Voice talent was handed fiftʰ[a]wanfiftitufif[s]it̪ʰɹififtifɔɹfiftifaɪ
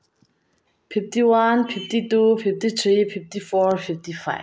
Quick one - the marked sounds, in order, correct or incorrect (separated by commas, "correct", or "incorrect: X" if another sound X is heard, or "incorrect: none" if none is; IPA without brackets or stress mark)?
incorrect: i, incorrect: t